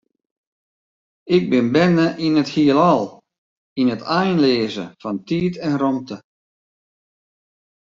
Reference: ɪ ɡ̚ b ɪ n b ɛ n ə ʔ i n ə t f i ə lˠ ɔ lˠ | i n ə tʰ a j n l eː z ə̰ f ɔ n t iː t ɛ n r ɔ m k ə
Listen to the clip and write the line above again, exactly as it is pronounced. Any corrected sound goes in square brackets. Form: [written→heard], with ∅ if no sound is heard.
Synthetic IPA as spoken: ɪ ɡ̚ b ɪ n b ɛ n ə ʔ i n ə t [f→h] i ə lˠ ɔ lˠ | i n ə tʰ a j n l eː z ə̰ f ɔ n t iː t ɛ n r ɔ m [k→t] ə